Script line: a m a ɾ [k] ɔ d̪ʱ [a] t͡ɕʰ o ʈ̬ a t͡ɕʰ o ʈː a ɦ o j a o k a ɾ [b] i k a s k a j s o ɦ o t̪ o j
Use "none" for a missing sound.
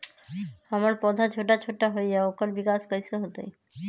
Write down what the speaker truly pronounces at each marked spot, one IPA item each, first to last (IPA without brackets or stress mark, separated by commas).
p, a, b